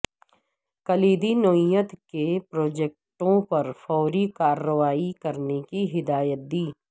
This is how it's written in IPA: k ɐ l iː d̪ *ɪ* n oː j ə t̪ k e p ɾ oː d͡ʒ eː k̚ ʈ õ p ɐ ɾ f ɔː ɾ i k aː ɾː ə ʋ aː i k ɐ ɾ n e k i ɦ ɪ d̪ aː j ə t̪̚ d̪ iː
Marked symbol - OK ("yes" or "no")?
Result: no